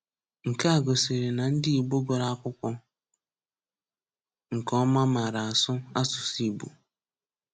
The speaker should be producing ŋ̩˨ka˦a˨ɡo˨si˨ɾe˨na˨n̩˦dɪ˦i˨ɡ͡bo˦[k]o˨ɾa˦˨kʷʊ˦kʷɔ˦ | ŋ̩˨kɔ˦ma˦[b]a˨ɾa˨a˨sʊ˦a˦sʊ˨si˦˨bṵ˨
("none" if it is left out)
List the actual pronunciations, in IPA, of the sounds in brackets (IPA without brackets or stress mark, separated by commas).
ɡ, m